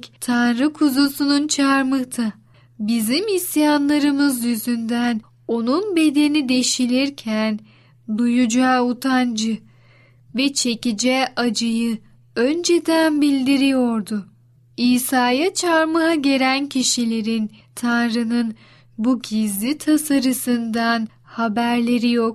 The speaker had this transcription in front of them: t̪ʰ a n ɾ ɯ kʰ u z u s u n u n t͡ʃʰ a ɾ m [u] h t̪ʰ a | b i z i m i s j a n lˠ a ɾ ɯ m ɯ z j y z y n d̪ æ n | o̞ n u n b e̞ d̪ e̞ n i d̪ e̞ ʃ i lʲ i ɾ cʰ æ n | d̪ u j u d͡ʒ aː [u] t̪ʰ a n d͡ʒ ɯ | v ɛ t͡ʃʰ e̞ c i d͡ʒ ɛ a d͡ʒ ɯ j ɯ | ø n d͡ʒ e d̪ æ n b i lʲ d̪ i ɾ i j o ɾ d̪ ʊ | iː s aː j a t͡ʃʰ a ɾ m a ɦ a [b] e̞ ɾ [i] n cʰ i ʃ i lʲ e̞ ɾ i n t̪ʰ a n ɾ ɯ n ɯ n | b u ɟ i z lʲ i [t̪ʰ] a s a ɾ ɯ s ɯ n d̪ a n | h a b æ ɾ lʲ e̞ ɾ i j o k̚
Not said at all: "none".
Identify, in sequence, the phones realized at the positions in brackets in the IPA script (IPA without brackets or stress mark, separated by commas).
ɯ, u, ɟ, æ, t̪ʰ